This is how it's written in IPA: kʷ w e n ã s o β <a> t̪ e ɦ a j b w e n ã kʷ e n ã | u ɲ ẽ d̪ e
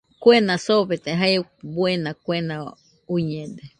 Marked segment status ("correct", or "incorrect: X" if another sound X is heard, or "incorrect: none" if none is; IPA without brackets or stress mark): incorrect: e